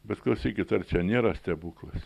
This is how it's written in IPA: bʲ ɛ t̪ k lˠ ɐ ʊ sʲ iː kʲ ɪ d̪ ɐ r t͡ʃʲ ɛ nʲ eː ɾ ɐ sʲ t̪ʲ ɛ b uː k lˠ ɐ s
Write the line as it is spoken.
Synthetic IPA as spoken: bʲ ɛ t̪ k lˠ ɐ ʊ sʲ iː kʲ ɪ t̪ ɐ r t͡ʃʲ ɛ nʲ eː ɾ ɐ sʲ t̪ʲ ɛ b uː k lˠ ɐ s

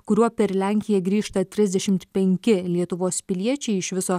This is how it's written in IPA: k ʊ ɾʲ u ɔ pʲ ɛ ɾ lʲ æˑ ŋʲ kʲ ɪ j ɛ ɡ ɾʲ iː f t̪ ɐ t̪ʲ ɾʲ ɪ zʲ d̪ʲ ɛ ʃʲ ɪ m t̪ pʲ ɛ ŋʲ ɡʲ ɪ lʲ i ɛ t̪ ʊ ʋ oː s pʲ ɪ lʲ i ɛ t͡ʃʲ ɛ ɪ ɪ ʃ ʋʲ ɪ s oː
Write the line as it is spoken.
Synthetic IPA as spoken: k ʊ ɾʲ u ɔ pʲ ɛ ɾ lʲ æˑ ŋʲ kʲ ɪ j ɛ ɡ ɾʲ iː ʃ t̪ ɐ t̪ʲ ɾʲ ɪ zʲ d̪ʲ ɛ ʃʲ ɪ m t̪ pʲ ɛ ŋʲ kʲ ɪ lʲ i ɛ t̪ ʊ ʋ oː s pʲ ɪ lʲ i ɛ t͡ʃʲ ɛ ɪ ɪ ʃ ʋʲ ɪ s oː

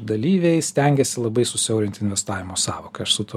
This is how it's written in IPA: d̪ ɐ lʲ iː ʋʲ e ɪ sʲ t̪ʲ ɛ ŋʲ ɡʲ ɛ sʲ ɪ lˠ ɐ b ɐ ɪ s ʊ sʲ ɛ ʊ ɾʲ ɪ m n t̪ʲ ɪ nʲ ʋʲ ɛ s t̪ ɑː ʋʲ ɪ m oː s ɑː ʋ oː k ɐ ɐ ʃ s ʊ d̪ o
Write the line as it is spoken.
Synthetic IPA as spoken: d̪ ɐ lʲ iː ʋʲ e ɪ sʲ t̪ʲ ɛ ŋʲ ɡʲ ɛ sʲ ɪ lˠ ɐ b ɐ ɪ s ʊ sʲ ɛ ʊ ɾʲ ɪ n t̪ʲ ɪ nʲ ʋʲ ɛ s t̪ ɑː ʋʲ ɪ m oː s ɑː ʋ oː k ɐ ɐ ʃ s ʊ t̪ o

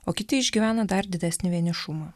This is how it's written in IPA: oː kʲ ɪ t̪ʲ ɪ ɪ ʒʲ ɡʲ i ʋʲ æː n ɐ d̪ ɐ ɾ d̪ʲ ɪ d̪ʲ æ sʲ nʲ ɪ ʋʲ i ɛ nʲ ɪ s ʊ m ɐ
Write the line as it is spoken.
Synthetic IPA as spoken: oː kʲ ɪ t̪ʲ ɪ ɪ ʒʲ ɡʲ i ʋʲ æː n ɐ d̪ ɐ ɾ d̪ʲ ɪ d̪ʲ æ sʲ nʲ ɪ ʋʲ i ɛ nʲ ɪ ʃ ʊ m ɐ

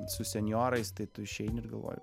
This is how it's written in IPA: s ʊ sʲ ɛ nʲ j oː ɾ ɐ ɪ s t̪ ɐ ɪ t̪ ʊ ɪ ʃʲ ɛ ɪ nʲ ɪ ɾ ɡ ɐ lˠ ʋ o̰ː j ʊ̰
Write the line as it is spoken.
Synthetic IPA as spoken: s ʊ sʲ ɛ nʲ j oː ɾ ɐ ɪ s t̪ ɐ ɪ t̪ ʊ ɪ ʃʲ ɛ ɪ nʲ ɪ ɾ ɡ ɐ lˠ ʋ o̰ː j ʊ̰

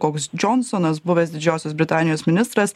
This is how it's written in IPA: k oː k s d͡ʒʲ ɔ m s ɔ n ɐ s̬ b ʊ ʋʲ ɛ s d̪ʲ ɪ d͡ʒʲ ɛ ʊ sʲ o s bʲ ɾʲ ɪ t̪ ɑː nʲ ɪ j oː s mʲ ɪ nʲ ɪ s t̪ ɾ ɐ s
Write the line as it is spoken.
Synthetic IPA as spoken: k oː k s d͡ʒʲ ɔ n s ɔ n ɐ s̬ b ʊ ʋʲ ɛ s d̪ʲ ɪ d͡ʒʲ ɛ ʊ sʲ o s bʲ ɾʲ ɪ t̪ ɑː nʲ ɪ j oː s mʲ ɪ nʲ ɪ s t̪ ɾ ɐ s

